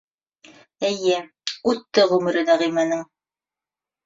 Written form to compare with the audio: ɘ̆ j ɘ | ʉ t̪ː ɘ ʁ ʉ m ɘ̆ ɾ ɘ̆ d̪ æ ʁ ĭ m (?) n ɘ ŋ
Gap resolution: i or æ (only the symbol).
æ